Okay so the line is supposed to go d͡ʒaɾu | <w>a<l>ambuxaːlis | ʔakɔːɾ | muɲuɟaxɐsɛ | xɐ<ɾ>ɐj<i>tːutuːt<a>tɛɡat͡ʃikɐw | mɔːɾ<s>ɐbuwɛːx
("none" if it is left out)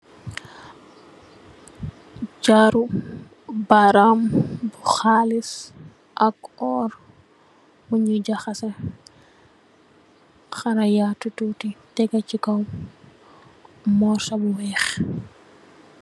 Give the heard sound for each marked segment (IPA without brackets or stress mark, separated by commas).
b, ɾ, ɾ, a, i, s